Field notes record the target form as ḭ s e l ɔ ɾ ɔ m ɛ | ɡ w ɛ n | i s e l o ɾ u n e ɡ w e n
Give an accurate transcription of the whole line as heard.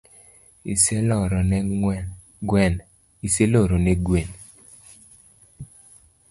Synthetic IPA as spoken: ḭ s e l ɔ ɾ ɔ n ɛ | ɡ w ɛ n | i s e l o ɾ o n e ɡ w e n

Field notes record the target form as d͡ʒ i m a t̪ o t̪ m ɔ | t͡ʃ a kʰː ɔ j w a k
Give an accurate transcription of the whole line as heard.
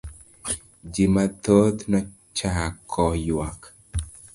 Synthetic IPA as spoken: d͡ʒ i m a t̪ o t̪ n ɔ | t͡ʃ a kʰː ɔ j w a k

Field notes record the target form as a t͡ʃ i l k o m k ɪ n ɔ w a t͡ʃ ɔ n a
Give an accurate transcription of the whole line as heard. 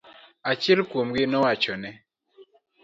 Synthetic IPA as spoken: a t͡ʃ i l k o m ɡ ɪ n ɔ w a t͡ʃ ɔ n ɛ

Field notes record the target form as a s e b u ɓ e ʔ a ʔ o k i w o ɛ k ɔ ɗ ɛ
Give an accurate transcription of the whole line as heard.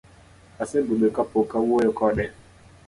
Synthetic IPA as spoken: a s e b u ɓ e k a p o k a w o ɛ k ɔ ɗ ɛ

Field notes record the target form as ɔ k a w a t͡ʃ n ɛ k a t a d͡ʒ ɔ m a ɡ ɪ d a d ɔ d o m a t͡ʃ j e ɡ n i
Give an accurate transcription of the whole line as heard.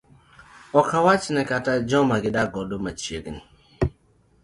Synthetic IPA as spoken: ɔ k a w a t͡ʃ n ɛ k a t a d͡ʒ ɔ m a ɡ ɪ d a ɡ ɔ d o m a t͡ʃ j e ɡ n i

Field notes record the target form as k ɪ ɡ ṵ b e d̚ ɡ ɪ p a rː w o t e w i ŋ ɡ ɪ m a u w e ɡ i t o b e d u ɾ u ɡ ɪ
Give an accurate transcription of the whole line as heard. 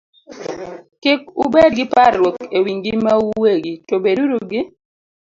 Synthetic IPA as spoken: k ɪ k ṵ b e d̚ ɡ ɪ p a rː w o k e w i ŋ ɡ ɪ m a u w e ɡ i t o b e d u ɾ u ɡ ɪ

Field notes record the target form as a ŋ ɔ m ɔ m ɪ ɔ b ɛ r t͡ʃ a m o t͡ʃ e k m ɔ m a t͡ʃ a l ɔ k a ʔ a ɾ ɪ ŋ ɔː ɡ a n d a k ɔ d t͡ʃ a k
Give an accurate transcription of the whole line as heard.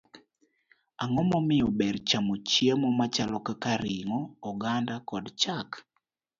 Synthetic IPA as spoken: a ŋ ɔ m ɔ m ɪ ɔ b ɛ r t͡ʃ a m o t͡ʃ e m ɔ m a t͡ʃ a l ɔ k a k a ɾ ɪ ŋ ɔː ɡ a n d a k ɔ d t͡ʃ a k

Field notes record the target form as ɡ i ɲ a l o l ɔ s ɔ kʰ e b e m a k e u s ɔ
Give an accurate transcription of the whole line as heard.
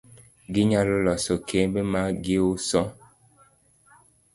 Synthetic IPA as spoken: ɡ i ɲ a l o l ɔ s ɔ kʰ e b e m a ɡ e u s ɔ

